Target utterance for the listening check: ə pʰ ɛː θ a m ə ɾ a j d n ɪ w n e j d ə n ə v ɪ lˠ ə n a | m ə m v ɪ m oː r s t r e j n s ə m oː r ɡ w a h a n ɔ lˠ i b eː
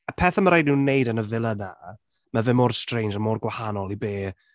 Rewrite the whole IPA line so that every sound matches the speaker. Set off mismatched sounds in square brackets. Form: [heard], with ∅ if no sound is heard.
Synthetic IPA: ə pʰ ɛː θ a m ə ɾ a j d n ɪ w n e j d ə n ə v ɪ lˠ ə n a | m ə [∅] v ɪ m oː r s t r e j n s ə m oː r ɡ w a h a n ɔ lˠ i b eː